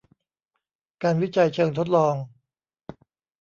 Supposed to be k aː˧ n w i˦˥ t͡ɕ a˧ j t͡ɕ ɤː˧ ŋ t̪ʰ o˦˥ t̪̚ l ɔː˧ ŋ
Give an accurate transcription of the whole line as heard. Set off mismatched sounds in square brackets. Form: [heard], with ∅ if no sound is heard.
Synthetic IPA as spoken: k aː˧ n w i˦˥ t͡ɕ a˧ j [t͡ɕʰ] ɤː˧ ŋ t̪ʰ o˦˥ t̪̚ l ɔː˧ ŋ